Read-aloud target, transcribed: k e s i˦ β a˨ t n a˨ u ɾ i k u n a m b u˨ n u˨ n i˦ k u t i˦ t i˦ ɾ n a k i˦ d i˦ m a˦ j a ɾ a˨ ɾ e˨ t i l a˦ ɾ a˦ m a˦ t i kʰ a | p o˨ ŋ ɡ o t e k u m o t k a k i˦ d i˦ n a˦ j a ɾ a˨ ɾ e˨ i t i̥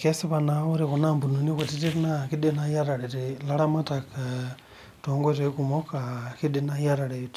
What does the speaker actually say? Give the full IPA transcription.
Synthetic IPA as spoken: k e s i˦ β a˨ n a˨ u ɾ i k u n a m b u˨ n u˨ n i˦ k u t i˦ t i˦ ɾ n a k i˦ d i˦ n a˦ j a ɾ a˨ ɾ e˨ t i l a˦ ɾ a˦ m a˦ t a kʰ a | t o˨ ŋ ɡ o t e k u m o k a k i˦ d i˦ n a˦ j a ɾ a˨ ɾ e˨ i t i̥